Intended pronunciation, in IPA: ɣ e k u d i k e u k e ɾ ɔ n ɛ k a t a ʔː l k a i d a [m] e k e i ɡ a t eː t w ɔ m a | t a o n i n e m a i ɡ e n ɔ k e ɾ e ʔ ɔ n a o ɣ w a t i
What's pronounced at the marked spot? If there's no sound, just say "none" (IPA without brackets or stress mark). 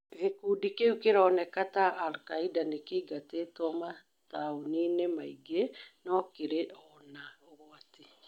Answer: n